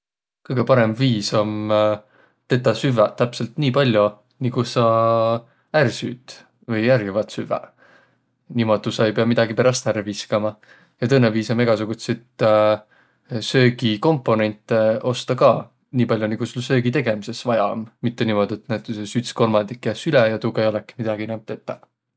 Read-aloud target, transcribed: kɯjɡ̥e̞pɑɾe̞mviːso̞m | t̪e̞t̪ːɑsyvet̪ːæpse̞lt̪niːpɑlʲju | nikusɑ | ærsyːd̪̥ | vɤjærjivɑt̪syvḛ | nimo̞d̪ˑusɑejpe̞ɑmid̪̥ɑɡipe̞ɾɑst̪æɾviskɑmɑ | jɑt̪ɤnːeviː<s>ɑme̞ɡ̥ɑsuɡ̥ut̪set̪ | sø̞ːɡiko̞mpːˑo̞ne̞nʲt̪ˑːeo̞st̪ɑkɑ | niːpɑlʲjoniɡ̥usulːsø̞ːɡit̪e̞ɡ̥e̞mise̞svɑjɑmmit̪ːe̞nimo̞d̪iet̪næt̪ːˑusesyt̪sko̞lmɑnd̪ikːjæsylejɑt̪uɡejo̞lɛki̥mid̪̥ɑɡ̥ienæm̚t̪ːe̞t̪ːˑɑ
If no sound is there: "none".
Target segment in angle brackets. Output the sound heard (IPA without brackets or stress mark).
s